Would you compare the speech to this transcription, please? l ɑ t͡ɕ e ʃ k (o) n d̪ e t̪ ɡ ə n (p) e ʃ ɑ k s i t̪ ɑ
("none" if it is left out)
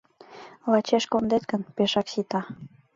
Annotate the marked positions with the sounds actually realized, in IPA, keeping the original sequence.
o, p

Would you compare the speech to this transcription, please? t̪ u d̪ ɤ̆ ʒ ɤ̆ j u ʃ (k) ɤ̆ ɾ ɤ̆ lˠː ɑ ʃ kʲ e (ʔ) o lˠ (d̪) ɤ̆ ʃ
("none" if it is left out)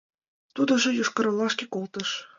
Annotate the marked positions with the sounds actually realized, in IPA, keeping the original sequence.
k, k, t̪

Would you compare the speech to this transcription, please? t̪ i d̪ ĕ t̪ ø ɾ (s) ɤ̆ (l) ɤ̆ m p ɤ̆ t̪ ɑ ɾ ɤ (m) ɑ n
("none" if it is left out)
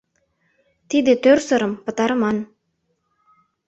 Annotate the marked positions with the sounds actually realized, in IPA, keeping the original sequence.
s, ɾ, m

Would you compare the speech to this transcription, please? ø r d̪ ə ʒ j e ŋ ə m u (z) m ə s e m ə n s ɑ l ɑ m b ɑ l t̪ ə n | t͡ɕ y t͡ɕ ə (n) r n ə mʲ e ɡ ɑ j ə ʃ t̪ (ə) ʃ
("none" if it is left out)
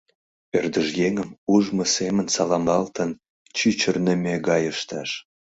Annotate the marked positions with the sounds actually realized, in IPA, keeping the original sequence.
ʒ, none, ɑ

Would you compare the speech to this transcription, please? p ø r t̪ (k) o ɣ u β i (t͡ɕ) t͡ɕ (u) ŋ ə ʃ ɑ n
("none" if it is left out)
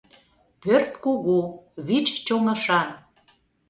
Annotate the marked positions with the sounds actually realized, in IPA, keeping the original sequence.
k, t͡ɕ, o

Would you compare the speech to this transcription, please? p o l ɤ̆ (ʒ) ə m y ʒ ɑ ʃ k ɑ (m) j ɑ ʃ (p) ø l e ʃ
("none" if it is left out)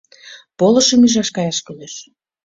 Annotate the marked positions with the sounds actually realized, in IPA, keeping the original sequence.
ʃ, none, k

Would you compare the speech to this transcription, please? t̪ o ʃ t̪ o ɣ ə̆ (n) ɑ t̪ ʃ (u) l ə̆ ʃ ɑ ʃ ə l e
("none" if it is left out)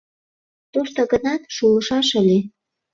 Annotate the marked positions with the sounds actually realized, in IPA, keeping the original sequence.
n, u

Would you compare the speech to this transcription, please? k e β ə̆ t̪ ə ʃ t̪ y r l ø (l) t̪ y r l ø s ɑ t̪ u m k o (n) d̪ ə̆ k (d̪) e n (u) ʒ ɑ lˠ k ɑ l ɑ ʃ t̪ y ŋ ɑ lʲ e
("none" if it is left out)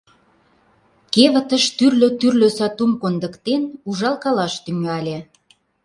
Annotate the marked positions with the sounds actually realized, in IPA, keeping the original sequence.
none, n, t̪, u

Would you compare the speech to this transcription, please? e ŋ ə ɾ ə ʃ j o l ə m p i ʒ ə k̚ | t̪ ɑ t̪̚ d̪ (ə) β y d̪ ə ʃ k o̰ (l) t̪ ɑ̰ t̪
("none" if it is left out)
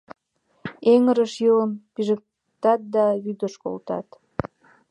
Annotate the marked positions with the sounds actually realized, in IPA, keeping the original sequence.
ɑ, l

